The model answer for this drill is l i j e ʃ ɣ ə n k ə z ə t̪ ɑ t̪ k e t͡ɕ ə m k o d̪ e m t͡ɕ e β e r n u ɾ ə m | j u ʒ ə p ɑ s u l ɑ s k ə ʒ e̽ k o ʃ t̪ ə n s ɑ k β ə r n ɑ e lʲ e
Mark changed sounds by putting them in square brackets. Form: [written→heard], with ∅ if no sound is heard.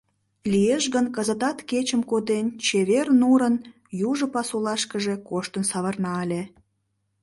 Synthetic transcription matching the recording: l i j e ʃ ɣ ə n k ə z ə t̪ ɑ t̪ k e t͡ɕ ə m k o d̪ e [m→n] t͡ɕ e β e r n u ɾ ə [m→n] | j u ʒ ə p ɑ s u l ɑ [s→ʃ] k ə ʒ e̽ k o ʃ t̪ ə n s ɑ [k→∅] β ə r n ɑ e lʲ e